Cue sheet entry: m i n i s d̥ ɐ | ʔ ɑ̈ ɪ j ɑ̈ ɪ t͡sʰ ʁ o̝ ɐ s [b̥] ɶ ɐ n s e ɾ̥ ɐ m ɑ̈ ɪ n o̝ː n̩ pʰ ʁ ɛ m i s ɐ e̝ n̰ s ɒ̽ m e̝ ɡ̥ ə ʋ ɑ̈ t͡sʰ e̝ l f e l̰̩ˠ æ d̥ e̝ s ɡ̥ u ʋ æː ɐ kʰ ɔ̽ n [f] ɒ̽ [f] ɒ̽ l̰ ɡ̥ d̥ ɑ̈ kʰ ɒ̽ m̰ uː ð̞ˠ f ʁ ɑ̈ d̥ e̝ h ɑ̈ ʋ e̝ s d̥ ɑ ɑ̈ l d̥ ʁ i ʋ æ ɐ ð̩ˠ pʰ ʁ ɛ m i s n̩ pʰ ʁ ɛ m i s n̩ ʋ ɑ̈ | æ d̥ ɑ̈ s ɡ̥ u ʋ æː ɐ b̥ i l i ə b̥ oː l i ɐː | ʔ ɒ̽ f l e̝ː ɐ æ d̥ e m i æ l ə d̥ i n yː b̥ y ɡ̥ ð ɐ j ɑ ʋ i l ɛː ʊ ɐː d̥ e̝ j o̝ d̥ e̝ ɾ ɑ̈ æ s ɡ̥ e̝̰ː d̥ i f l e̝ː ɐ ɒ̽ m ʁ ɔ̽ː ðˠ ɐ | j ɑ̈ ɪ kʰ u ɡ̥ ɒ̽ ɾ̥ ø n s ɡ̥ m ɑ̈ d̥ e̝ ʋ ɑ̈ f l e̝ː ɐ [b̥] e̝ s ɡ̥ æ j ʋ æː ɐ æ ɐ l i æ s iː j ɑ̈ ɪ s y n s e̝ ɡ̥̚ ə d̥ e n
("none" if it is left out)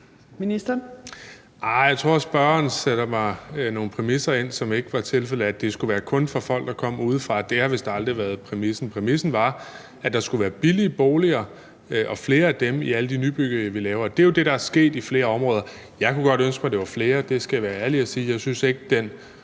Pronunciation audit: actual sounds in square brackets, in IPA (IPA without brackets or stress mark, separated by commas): b̥, f, f, d̥